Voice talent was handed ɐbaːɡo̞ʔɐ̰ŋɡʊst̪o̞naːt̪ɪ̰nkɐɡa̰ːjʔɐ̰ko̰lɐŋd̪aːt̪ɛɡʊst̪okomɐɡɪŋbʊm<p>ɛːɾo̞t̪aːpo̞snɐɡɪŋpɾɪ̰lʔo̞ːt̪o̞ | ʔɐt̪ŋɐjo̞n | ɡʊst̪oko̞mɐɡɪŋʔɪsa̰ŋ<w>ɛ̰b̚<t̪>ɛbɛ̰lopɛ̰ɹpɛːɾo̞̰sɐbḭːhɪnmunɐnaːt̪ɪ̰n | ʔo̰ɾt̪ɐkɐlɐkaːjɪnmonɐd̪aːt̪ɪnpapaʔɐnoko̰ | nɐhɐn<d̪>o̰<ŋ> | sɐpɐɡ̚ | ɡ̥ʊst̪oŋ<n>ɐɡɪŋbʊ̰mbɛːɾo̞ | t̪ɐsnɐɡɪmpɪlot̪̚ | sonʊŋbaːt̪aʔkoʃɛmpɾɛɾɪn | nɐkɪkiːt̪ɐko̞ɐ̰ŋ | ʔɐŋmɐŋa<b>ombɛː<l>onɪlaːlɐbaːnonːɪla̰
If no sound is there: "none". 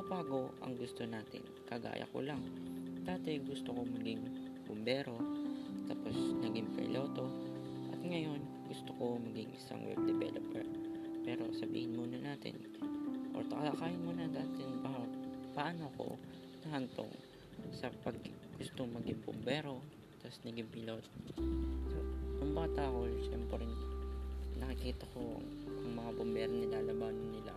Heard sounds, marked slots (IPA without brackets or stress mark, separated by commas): b, w, d̪, t̪, ŋ, m, b, ɾ